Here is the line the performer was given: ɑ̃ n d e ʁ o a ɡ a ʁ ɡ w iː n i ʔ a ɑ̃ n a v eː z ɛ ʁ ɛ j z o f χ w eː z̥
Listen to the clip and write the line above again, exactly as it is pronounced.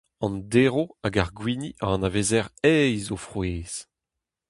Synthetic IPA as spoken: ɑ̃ n d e ʁ o a ɡ a ʁ ɡ w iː n i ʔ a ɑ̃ n a v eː z ɛ ʁ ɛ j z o f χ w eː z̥

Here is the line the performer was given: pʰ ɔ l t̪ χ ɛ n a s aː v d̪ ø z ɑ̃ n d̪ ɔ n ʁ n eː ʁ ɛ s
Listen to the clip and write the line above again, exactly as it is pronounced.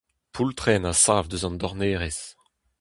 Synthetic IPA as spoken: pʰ u l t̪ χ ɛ n a s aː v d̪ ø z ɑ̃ n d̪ ɔ ʁ n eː ʁ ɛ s

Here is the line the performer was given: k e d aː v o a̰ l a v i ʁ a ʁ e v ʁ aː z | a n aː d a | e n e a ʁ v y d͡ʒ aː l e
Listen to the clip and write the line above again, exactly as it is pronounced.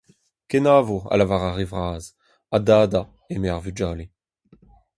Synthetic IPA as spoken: k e n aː v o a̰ l a v a ʁ a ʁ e v ʁ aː z | a d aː d a | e m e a ʁ v y d͡ʒ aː l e

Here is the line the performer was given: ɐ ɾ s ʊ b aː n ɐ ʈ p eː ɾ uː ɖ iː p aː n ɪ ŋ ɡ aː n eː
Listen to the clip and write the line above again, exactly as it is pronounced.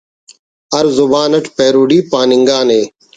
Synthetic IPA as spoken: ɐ ɾ z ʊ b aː n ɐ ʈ p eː ɾ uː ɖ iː p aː n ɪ ŋ ɡ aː n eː

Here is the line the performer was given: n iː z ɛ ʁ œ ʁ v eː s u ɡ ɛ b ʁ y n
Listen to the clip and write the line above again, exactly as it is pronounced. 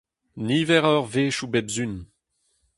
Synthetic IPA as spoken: n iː v ɛ ʁ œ ʁ v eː ʃ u b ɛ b z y n

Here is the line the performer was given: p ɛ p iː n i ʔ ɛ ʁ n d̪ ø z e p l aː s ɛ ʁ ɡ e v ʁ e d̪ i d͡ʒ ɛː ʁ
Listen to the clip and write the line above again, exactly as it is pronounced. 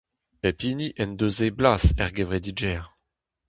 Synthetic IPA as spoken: p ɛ p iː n i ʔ ɛ n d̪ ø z e b l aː s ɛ ʁ ɡ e v ʁ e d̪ i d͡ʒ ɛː ʁ

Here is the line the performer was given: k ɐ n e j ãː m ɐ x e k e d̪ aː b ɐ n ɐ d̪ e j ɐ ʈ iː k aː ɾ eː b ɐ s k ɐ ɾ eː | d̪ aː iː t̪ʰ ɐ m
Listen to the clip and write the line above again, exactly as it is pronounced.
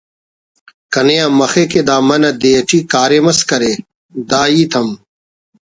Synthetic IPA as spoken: k ɐ n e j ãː m ɐ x e k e d̪ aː m ɐ n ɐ d̪ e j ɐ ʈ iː k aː ɾ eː m ɐ s k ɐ ɾ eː | d̪ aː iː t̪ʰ ɐ m

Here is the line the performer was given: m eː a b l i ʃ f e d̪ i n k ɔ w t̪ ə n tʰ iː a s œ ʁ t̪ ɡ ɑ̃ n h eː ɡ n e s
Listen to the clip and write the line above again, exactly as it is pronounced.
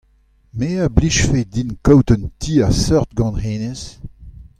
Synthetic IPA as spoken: m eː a b l i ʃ f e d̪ i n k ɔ w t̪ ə n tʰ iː a s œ ʁ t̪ ɡ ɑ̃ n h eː n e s

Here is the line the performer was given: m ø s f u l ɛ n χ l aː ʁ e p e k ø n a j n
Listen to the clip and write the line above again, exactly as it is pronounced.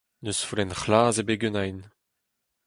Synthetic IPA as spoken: n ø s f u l ɛ n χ l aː z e b e ɡ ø n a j n

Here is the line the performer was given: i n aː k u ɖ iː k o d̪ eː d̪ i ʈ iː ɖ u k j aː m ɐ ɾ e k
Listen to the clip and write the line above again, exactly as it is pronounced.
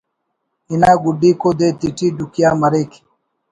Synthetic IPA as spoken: i n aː ɡ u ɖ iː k o d̪ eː t̪ i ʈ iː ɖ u k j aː m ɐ ɾ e k

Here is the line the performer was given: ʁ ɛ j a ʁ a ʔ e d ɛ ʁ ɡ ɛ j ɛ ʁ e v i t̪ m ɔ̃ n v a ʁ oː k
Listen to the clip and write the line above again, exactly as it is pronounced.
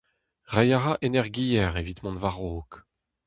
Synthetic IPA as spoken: ʁ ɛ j a ʁ a ʔ e n ɛ ʁ ɡ i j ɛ ʁ e v i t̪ m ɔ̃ n v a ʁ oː k

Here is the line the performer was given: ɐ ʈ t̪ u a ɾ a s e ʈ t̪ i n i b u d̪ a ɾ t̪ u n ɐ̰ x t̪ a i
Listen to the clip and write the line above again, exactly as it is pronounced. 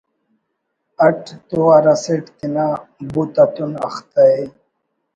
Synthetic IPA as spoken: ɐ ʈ t̪ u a ɾ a s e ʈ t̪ i n a b u t̪ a t̪ u n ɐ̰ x t̪ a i

